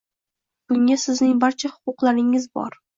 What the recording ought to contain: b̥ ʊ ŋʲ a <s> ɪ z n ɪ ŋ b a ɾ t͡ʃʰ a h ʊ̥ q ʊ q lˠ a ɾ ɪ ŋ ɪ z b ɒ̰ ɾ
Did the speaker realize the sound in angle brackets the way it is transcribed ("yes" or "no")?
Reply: yes